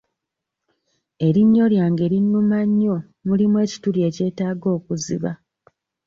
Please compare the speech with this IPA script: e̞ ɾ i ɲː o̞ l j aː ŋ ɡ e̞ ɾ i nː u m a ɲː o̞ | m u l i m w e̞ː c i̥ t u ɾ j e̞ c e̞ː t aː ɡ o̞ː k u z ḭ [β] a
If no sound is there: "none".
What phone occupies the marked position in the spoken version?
β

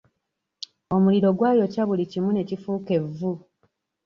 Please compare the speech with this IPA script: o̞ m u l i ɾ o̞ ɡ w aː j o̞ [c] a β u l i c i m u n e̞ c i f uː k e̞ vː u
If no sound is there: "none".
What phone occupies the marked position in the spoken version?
c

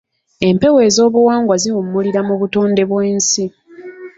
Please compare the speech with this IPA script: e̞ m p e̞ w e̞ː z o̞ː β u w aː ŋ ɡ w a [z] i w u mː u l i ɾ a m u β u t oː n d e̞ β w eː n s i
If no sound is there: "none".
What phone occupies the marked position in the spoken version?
z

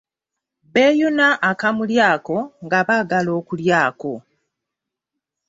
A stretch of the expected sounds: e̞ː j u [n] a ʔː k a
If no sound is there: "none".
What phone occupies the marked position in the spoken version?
n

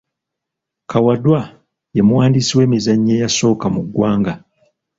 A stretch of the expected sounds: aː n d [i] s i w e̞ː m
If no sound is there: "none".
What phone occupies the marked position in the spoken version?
i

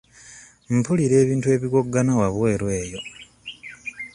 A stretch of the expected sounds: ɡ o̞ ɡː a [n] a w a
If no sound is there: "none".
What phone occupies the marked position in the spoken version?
n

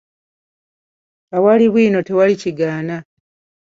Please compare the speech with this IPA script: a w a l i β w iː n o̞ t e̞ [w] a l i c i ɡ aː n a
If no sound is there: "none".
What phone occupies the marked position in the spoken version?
w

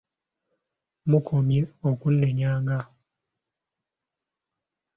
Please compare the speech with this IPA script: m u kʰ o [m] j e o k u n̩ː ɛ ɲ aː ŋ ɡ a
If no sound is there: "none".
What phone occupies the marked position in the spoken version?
m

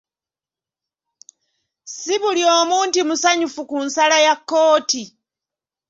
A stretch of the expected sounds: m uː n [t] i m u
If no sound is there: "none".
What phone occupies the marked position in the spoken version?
t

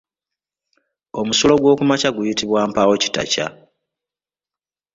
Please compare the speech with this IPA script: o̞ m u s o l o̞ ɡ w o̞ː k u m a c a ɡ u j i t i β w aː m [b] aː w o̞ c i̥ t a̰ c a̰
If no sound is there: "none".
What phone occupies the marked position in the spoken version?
p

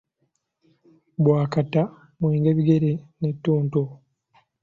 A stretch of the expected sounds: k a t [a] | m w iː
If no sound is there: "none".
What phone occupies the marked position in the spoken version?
a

